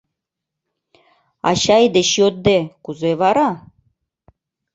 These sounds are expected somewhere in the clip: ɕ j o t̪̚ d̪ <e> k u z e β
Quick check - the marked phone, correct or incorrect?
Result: correct